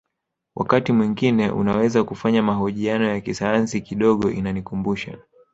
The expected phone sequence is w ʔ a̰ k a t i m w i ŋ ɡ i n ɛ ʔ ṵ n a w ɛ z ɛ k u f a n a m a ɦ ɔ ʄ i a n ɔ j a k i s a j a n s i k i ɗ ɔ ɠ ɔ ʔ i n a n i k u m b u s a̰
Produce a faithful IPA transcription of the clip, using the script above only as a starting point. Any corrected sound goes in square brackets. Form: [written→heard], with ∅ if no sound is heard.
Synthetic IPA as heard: w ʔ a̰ k a t i m w i ŋ ɡ i n ɛ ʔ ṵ n a w ɛ z [ɛ→a] k u f a [n→ɲ] a m a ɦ ɔ ʄ i a n ɔ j a k i s a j a n s i k i ɗ ɔ ɠ ɔ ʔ i n a n i k u m b u [s→ʃ] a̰